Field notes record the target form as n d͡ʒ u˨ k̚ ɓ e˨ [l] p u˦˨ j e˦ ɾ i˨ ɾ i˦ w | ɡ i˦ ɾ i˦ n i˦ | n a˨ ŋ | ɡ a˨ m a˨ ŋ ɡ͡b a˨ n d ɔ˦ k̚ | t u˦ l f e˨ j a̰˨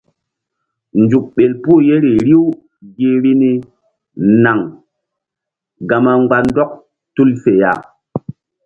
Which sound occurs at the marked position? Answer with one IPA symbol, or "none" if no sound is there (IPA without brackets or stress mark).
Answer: l